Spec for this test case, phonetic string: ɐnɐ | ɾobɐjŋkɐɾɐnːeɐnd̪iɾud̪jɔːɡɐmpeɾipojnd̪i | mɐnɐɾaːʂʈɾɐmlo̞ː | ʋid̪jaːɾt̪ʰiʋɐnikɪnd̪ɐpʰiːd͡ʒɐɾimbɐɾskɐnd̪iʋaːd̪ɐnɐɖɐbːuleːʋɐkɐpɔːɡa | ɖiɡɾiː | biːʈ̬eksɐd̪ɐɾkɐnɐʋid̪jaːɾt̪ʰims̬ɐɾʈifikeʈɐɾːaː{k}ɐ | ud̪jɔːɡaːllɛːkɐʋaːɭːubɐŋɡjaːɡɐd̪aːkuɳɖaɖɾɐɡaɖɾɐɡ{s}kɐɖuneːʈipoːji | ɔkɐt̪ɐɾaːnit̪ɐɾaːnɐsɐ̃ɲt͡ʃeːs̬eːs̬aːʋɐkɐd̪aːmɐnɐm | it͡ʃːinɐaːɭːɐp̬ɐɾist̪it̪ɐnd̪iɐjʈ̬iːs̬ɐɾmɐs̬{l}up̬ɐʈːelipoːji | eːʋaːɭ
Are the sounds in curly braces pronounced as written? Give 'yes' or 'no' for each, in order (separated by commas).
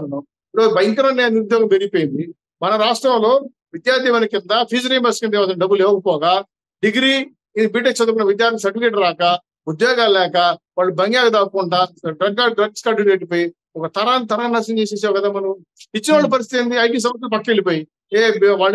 yes, yes, yes